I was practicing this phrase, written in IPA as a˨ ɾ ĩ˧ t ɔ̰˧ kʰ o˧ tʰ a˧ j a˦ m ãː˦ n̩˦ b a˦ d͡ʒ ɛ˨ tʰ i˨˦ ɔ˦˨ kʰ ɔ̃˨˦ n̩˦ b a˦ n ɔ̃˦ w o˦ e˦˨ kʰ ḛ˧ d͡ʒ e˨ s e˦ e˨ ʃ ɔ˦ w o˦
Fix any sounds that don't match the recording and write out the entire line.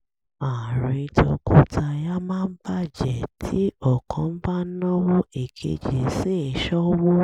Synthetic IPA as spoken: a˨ ɾ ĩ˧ t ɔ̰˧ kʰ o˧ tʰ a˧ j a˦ m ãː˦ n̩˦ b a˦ d͡ʒ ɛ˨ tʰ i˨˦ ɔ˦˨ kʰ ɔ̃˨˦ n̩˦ b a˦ n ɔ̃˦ w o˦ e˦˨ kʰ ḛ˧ d͡ʒ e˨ s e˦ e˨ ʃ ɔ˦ w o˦